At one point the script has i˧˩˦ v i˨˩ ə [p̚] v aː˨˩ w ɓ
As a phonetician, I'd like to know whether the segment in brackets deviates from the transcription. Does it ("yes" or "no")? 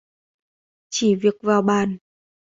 yes